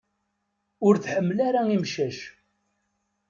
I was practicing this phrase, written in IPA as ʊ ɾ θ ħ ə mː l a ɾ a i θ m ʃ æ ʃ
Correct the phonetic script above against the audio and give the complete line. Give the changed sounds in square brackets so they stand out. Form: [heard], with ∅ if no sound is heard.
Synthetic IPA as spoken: ʊ ɾ θ ħ ə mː l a ɾ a i [∅] m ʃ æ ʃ